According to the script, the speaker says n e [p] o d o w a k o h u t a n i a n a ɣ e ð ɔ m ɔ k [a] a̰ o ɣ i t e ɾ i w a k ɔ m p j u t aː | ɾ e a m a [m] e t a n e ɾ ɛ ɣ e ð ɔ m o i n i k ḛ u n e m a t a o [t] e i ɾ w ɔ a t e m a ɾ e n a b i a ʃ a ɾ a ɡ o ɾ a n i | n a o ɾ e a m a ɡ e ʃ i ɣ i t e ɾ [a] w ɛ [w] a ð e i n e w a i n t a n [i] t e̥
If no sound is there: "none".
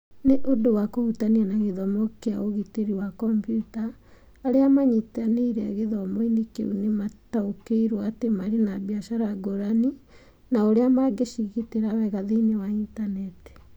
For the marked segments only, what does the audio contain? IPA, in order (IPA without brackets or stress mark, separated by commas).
ʔ, e, ɲ, k, a, ɣ, ɛ